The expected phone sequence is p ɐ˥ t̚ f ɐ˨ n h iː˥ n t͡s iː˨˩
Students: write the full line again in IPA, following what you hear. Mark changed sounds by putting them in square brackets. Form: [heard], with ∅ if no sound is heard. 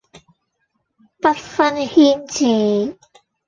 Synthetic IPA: p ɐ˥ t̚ f [ɐ˥] n h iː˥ n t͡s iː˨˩